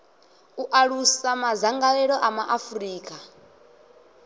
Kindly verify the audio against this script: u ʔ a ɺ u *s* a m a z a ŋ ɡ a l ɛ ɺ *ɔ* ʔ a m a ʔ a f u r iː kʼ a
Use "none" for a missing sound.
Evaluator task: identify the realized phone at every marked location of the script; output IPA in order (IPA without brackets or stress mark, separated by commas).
s, ɔ